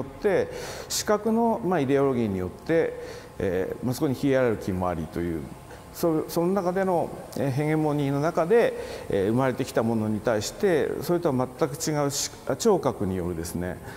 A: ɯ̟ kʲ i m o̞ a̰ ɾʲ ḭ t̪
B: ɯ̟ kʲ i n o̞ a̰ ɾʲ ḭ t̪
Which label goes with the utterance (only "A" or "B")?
A